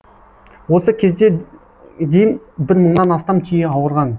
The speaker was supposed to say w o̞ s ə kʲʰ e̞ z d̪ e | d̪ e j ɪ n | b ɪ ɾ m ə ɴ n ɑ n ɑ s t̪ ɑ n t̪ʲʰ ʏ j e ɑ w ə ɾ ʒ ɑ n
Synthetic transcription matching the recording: w o̞ s ə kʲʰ e̞ z d̪ e | d̪ e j ɪ n | b ɪ ɾ m ə ɴ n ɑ n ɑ s t̪ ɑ m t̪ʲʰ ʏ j e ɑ w ə ɾ ʁ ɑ n